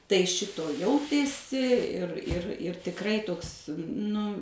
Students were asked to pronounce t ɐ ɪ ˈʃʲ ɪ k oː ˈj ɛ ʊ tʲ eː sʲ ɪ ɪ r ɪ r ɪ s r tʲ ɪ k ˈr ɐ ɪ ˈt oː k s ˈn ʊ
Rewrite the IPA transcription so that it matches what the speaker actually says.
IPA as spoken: t ɐ ɪ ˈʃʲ ɪ t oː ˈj ɛ ʊ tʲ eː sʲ ɪ ɪ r ɪ r ɪ r tʲ ɪ k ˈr ɐ ɪ ˈt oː k s ˈn ʊ